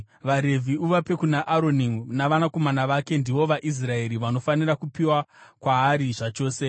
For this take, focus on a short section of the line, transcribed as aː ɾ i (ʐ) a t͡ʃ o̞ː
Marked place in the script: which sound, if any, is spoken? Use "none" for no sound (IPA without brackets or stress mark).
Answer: ʐ